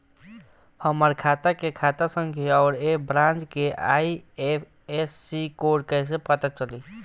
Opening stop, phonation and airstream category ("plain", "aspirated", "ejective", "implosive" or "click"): aspirated